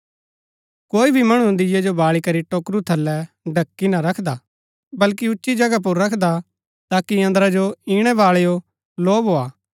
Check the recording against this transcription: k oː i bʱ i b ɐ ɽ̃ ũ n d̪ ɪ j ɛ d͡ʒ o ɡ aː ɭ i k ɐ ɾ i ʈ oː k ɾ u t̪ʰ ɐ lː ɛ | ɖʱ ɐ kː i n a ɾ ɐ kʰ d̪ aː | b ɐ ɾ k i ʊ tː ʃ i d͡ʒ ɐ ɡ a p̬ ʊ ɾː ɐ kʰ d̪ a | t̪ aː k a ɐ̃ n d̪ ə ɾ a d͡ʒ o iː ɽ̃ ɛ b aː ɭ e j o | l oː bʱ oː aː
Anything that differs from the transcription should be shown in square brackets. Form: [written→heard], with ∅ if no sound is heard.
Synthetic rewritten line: k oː i bʱ i [b→m] ɐ ɽ̃ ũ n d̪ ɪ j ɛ d͡ʒ o [ɡ→b] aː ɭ i k ɐ ɾ i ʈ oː k ɾ u t̪ʰ ɐ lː ɛ | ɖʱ ɐ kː i n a ɾ ɐ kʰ d̪ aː | b ɐ [ɾ→l] k i ʊ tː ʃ i d͡ʒ ɐ ɡ a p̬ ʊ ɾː ɐ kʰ d̪ a | t̪ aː k [a→i] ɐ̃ n d̪ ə ɾ a d͡ʒ o iː ɽ̃ ɛ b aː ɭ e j o | l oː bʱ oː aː